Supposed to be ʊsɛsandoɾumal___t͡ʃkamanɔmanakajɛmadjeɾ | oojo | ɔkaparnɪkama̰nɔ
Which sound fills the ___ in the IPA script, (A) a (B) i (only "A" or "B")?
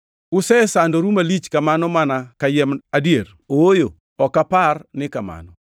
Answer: B